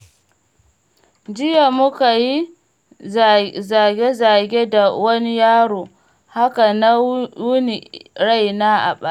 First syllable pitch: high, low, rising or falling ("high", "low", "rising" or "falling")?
high